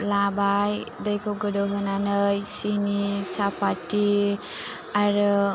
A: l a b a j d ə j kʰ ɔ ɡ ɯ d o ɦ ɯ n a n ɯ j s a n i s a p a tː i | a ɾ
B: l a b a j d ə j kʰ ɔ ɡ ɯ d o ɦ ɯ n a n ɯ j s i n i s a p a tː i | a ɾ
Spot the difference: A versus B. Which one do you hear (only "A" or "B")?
B